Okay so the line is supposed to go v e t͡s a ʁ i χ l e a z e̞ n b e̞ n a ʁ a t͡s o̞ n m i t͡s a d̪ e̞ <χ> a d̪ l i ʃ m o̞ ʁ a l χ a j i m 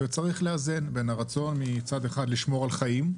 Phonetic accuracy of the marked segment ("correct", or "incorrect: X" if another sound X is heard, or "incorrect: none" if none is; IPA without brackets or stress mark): correct